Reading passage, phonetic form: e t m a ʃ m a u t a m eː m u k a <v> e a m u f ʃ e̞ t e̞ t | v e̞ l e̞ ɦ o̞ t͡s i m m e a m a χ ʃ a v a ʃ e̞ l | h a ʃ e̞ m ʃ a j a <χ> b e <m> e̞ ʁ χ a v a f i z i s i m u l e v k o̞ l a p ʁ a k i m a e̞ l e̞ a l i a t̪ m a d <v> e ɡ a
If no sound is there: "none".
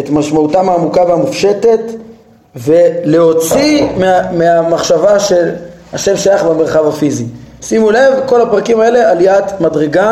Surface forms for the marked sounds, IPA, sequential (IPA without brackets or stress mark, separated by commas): v, χ, m, ʁ